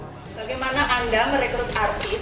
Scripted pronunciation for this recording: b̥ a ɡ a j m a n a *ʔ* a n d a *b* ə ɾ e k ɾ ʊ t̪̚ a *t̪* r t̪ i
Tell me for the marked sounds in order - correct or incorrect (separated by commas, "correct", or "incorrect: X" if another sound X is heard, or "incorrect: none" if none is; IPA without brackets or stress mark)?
correct, incorrect: m, incorrect: none